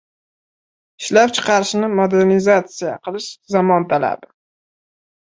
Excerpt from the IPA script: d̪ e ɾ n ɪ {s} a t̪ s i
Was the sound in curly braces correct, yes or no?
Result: no